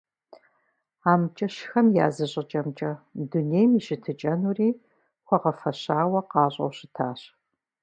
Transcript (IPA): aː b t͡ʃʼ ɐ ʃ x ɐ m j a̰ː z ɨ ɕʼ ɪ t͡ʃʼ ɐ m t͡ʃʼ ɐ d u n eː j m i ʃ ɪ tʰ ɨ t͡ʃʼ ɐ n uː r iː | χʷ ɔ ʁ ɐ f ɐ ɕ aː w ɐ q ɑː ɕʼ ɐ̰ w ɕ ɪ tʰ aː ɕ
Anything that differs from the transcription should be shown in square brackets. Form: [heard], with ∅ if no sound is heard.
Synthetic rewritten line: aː [m] t͡ʃʼ ɐ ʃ x ɐ m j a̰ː z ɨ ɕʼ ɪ t͡ʃʼ ɐ m t͡ʃʼ ɐ d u n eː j m i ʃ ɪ tʰ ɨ t͡ʃʼ ɐ n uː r iː | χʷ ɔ ʁ ɐ f ɐ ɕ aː w ɐ q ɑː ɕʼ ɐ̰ w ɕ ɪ tʰ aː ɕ

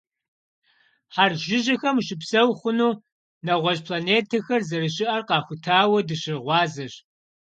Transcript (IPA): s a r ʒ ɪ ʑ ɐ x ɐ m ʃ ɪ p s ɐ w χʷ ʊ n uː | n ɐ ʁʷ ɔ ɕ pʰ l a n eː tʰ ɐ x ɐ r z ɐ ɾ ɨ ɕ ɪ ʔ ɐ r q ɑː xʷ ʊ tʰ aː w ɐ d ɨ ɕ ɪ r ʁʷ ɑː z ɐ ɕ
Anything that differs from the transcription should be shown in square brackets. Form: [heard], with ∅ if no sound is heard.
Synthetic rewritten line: [ħ] a r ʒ ɪ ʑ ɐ x ɐ m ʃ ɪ p s ɐ w χʷ ʊ n uː | n ɐ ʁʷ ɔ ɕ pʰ l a n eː tʰ ɐ x ɐ r z ɐ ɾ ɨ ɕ ɪ ʔ ɐ r q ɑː xʷ ʊ tʰ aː w ɐ d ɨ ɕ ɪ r ʁʷ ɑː z ɐ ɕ

